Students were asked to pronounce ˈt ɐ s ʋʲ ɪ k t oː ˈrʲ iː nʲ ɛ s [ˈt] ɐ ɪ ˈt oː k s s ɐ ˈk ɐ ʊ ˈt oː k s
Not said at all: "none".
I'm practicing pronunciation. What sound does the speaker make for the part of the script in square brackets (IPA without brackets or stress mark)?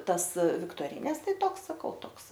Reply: t